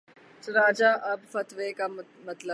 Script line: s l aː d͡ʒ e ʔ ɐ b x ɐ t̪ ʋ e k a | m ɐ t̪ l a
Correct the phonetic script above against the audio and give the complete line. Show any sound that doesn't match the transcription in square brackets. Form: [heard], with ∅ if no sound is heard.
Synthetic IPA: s [ɾ] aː d͡ʒ [a] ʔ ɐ b [f] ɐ t̪ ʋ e k a | m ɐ t̪ l [ə]